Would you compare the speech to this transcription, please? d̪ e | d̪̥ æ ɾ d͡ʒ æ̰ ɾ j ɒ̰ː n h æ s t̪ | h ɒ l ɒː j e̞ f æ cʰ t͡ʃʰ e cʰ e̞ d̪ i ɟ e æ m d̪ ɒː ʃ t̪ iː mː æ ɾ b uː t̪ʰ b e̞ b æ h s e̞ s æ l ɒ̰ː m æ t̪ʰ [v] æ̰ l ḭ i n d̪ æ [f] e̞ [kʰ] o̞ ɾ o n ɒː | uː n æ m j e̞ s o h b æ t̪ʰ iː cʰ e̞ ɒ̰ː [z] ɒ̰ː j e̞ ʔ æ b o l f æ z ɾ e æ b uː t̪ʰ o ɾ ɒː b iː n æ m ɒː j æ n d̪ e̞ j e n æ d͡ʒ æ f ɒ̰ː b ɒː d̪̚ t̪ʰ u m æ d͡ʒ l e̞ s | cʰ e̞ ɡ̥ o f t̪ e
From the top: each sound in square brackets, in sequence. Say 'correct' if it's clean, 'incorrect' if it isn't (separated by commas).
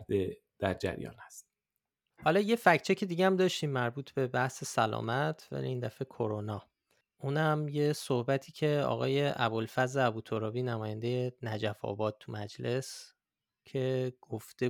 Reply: correct, correct, correct, incorrect